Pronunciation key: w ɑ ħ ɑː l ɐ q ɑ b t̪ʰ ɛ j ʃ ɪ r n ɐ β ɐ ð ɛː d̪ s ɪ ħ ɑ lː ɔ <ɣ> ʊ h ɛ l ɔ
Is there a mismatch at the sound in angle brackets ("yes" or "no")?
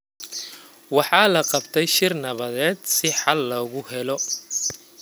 no